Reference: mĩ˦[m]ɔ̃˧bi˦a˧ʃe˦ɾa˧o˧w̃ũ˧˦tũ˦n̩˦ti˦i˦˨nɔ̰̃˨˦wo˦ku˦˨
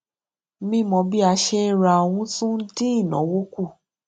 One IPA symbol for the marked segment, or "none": m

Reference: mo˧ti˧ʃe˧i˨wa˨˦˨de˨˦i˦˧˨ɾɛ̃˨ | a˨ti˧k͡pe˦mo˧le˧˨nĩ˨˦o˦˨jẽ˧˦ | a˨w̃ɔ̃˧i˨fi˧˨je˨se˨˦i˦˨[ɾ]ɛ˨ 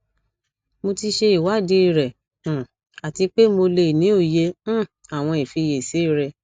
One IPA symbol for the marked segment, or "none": ɾ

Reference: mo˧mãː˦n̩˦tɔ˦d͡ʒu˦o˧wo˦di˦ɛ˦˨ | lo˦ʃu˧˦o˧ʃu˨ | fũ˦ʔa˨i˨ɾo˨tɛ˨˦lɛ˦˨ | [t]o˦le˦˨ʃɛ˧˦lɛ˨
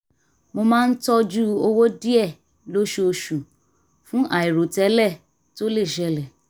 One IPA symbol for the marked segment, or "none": t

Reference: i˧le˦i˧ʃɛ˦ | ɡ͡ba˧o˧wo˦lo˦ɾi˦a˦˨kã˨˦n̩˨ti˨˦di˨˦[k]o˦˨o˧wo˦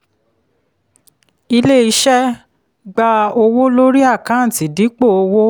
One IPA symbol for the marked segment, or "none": k͡p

